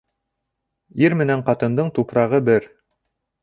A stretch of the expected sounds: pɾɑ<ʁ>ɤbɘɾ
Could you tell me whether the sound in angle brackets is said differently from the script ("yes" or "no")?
no